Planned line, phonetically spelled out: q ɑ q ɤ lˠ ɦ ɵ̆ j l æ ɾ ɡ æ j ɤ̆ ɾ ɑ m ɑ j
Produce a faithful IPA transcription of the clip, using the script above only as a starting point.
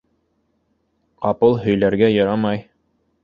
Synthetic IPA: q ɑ p ɤ lˠ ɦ ɵ̆ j l æ ɾ ɡ æ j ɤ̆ ɾ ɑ m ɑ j